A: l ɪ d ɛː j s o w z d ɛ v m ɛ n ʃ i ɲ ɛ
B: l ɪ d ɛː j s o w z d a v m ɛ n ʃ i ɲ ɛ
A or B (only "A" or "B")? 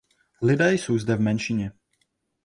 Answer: A